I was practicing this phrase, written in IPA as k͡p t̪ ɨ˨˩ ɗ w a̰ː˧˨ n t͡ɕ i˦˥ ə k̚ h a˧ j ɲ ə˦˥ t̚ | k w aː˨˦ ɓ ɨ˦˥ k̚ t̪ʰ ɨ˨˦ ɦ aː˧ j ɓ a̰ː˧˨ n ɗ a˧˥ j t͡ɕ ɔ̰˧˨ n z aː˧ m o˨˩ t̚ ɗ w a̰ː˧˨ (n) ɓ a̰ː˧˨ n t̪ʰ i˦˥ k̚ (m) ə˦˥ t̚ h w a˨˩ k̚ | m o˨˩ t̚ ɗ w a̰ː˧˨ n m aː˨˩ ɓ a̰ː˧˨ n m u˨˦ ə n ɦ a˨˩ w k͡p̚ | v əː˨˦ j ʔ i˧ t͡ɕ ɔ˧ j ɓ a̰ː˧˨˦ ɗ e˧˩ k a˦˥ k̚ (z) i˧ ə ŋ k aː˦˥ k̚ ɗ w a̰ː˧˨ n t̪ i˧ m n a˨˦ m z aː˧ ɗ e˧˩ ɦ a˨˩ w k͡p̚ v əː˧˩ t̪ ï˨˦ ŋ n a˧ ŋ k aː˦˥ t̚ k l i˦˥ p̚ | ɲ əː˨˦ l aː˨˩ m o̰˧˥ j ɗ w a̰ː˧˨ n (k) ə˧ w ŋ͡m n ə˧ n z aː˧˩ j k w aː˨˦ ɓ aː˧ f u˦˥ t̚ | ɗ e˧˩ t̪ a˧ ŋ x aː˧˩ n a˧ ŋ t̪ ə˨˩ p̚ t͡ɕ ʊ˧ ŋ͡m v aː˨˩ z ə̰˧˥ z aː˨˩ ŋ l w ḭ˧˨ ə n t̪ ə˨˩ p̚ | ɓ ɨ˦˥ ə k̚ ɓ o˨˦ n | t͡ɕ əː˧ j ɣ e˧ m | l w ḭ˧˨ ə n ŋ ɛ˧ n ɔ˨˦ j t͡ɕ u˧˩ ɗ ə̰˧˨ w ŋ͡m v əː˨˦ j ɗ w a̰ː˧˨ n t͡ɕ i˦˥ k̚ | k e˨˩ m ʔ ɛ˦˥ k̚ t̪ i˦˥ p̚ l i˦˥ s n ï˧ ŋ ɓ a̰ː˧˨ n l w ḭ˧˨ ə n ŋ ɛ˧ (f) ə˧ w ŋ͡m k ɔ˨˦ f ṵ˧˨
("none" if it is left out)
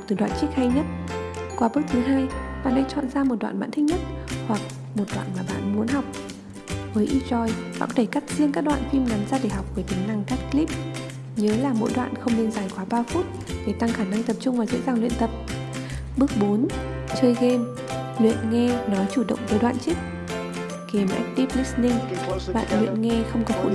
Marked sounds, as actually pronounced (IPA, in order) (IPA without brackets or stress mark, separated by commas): n, ɲ, z, x, x